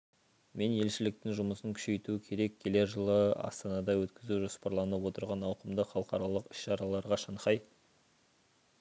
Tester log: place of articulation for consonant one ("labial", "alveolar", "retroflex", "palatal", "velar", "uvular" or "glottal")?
labial